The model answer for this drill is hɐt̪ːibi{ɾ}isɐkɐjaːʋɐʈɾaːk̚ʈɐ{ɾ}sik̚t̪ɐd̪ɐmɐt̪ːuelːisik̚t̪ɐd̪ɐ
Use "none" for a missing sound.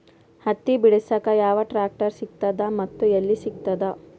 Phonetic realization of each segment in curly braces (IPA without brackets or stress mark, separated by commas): ɽ, ɾ